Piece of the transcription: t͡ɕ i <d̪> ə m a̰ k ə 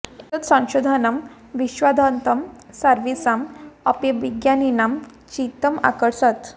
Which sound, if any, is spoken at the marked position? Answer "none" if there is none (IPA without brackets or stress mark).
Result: t̪